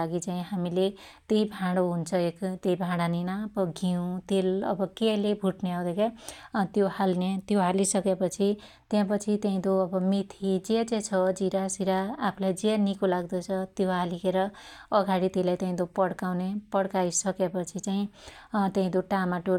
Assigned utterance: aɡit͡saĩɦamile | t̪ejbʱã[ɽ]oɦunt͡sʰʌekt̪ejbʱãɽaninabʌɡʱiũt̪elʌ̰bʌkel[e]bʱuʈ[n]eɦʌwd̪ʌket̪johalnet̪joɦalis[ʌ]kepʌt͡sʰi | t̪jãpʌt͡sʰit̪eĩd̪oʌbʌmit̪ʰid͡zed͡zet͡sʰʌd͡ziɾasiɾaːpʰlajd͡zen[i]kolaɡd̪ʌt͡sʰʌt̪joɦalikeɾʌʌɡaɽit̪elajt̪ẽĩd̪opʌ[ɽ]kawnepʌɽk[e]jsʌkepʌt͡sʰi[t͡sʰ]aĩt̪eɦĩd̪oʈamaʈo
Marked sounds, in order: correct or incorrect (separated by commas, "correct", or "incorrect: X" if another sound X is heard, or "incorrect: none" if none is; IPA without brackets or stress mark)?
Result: correct, correct, correct, correct, correct, correct, incorrect: a, incorrect: t͡s